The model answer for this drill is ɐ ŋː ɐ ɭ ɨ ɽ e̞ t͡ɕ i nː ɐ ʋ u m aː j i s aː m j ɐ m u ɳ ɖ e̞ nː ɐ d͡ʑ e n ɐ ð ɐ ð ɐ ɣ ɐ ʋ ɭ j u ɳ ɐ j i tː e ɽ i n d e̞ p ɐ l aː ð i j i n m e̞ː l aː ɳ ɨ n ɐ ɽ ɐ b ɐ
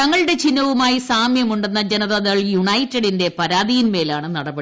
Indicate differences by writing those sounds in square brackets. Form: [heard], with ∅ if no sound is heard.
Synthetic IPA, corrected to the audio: ɐ ŋː ɐ ɭ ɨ ɽ e̞ t͡ɕ i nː ɐ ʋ u m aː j i s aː m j ɐ m u ɳ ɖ e̞ nː ɐ d͡ʑ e n ɐ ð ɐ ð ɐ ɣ ɐ [∅] ɭ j u ɳ ɐ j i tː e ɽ i n d e̞ p ɐ [ɾ] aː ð i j i n m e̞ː l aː ɳ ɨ n ɐ ɽ ɐ b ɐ

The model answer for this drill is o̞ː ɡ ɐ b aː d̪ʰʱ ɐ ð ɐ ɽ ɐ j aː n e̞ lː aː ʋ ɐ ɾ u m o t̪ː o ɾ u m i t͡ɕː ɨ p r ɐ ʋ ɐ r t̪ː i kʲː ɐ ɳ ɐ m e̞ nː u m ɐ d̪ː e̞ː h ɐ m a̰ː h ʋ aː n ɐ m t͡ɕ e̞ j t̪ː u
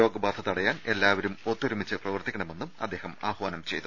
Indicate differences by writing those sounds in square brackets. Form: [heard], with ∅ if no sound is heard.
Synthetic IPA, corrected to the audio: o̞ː ɡ ɐ b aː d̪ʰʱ ɐ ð ɐ ɽ ɐ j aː n e̞ lː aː ʋ ɐ ɾ u m o t̪ː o ɾ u m i t͡ɕː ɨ p r ɐ ʋ ɐ r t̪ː i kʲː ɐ ɳ ɐ m e̞ nː u m ɐ d̪ː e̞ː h ɐ m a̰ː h ʋ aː n ɐ m t͡ɕ e̞ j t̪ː u

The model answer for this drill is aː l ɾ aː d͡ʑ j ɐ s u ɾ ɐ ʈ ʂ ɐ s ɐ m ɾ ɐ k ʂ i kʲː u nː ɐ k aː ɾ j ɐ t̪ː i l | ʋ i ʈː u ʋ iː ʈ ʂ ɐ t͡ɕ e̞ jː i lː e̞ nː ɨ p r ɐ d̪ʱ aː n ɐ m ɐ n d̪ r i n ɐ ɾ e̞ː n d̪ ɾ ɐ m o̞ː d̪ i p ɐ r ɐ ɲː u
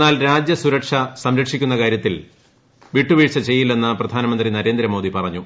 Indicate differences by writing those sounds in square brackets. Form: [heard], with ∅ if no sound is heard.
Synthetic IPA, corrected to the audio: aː l ɾ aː d͡ʑ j ɐ s u ɾ ɐ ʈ ʂ ɐ s ɐ m ɾ ɐ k ʂ i kʲː u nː ɐ k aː ɾ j ɐ t̪ː i l | ʋ i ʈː u ʋ iː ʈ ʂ ɐ t͡ɕ e̞ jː i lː e̞ nː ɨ p r ɐ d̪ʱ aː n ɐ m ɐ n d̪ r i n ɐ ɾ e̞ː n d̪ ɾ ɐ m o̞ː d̪ i p ɐ r ɐ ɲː u

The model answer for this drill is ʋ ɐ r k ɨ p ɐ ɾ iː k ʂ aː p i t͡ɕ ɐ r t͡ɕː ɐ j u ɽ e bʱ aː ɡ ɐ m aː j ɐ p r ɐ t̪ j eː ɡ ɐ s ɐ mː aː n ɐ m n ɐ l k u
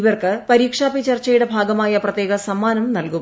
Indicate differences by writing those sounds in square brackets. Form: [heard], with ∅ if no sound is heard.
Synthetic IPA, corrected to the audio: ʋ ɐ r k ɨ p ɐ ɾ iː k ʂ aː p i t͡ɕ ɐ r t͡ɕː ɐ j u ɽ e bʱ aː ɡ ɐ m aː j ɐ p r ɐ t̪ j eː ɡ ɐ s ɐ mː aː n ɐ m n ɐ l k u

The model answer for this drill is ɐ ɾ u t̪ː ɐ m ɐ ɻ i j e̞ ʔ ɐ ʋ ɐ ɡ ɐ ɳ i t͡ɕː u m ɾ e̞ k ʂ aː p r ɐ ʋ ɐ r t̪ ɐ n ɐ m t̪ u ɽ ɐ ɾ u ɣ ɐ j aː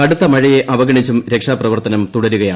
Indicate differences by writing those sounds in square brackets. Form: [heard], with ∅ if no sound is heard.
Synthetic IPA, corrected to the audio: ɐ [ɽ] u t̪ː ɐ m ɐ ɻ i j e̞ ʔ ɐ ʋ ɐ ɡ ɐ ɳ i t͡ɕː u m ɾ e̞ k ʂ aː p r ɐ ʋ ɐ r t̪ ɐ n ɐ m t̪ u ɽ ɐ ɾ u ɣ ɐ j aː

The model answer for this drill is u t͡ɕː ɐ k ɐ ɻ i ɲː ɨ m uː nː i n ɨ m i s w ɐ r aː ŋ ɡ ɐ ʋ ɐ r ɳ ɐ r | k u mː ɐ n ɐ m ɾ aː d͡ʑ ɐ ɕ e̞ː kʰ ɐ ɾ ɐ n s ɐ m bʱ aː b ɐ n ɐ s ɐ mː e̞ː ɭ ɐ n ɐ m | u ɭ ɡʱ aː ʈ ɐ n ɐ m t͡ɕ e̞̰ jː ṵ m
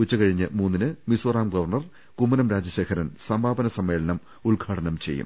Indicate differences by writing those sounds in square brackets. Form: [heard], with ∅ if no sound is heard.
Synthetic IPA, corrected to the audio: u t͡ɕː ɐ k ɐ ɻ i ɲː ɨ m uː nː i n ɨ m i s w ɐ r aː [m] ɡ ɐ ʋ ɐ r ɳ ɐ r | k u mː ɐ n ɐ m ɾ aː d͡ʑ ɐ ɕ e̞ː kʰ ɐ ɾ ɐ n s ɐ m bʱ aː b ɐ n ɐ s ɐ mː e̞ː ɭ ɐ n ɐ m | u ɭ ɡʱ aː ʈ ɐ n ɐ m t͡ɕ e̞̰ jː ṵ m

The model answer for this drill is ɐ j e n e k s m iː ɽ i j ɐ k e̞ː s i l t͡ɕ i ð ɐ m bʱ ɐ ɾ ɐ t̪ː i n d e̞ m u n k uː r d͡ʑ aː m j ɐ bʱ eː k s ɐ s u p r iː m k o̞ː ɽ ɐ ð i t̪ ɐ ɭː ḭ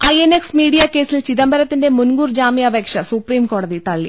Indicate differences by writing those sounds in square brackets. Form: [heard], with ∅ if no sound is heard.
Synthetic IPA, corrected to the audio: ɐ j e n e k s m iː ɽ i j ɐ k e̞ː s i l t͡ɕ i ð ɐ m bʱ ɐ ɾ ɐ t̪ː i n d e̞ m u n [ɡ] uː r d͡ʑ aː m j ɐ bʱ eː k [ʂ] ɐ s u p r iː m k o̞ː ɽ ɐ ð i t̪ ɐ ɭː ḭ

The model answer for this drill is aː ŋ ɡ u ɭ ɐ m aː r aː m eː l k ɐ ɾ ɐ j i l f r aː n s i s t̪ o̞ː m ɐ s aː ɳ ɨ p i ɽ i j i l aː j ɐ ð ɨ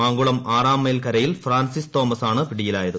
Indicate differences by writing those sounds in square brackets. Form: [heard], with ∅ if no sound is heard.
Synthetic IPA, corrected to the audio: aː ŋ ɡ u ɭ ɐ m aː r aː m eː l k ɐ ɾ ɐ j i l f r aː n s i s t̪ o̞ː m ɐ s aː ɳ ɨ p i ɽ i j i l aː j ɐ ð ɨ

